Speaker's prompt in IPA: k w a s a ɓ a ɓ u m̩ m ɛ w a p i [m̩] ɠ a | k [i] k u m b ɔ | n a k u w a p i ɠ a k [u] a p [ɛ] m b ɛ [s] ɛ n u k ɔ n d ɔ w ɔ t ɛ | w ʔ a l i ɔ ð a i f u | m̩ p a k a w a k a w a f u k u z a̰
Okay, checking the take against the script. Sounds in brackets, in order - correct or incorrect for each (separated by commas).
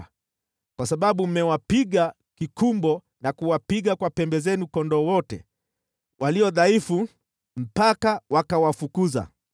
incorrect, correct, incorrect, correct, incorrect